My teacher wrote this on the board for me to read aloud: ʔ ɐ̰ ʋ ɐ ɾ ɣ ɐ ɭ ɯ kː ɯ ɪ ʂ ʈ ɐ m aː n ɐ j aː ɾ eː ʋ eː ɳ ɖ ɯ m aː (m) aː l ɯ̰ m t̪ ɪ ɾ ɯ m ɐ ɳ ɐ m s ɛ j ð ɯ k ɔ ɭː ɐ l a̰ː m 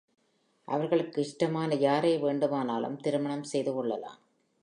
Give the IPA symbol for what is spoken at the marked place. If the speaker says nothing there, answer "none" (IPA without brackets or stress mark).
n